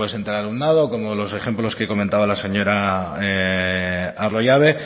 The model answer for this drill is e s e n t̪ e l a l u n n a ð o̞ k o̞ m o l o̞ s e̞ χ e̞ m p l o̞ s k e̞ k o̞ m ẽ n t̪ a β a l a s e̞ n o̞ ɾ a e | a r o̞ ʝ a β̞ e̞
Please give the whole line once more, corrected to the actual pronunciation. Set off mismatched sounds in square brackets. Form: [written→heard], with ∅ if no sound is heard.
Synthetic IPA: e s e n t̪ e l a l u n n a ð o̞ k o̞ m o l o̞ s e̞ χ e̞ m p l o̞ s k e̞ k o̞ m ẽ n t̪ a β a l a s e̞ [n→ɲ] o̞ ɾ a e | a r o̞ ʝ a β̞ e̞